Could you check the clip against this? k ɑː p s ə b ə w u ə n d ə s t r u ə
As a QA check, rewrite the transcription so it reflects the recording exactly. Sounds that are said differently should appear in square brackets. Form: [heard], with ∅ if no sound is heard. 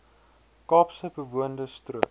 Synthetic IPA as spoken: k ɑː p s ə b ə [v] u ə n d ə s t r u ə